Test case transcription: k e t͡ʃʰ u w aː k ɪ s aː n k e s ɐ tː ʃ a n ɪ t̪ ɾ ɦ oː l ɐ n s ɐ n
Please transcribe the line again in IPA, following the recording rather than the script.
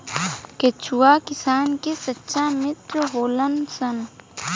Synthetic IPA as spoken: k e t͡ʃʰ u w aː k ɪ s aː n k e s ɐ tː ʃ a m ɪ t̪ ɾ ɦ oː l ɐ n s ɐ n